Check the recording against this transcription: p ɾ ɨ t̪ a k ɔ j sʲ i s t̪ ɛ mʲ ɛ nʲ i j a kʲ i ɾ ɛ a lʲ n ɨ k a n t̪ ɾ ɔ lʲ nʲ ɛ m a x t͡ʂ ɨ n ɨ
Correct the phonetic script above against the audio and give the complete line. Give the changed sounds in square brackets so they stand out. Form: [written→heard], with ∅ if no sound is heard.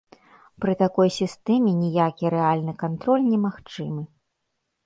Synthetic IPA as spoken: p ɾ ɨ t̪ a k ɔ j sʲ i s t̪ ɛ mʲ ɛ nʲ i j a kʲ i ɾ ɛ a lʲ n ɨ k a n t̪ ɾ ɔ lʲ nʲ ɛ m a x t͡ʂ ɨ [n→m] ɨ